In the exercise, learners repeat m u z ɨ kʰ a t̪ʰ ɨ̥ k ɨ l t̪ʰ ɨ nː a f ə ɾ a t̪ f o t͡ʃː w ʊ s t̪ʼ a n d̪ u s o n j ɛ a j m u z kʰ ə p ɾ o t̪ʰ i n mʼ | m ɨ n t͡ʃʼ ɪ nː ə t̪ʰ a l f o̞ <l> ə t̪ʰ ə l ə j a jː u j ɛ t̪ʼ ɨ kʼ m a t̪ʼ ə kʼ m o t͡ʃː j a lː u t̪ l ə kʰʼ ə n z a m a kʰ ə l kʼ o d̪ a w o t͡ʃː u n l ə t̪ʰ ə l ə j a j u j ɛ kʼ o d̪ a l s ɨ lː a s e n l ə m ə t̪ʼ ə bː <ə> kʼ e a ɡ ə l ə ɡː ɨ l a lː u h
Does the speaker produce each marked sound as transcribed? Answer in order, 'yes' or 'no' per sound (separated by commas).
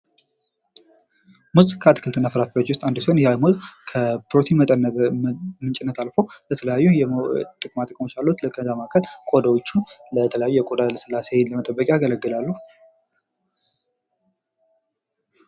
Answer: yes, yes